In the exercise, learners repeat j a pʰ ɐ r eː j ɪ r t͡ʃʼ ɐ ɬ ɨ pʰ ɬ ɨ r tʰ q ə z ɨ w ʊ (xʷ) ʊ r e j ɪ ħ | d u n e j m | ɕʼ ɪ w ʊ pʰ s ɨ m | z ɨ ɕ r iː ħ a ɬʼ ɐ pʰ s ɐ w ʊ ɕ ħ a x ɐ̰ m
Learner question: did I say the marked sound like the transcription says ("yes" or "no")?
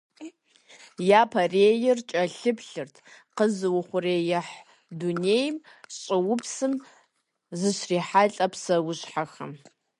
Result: no